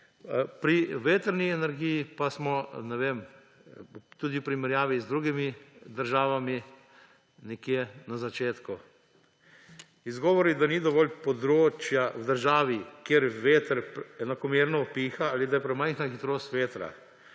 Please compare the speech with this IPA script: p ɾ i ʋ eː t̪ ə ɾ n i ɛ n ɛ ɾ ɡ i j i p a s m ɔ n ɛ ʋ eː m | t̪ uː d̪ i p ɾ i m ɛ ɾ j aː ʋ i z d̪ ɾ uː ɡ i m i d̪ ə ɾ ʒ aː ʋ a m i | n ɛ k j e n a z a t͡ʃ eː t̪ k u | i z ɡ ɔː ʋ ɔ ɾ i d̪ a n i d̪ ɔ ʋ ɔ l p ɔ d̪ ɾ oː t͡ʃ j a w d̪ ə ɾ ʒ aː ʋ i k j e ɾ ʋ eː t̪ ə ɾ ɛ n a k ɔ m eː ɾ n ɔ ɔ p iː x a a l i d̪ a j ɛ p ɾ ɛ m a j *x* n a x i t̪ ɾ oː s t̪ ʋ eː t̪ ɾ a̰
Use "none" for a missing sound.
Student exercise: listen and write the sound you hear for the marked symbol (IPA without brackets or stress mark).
x